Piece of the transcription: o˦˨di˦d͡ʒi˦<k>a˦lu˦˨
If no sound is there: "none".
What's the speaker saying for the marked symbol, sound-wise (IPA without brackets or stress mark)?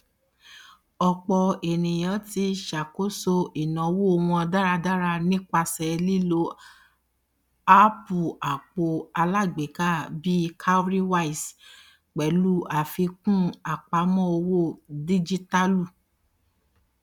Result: t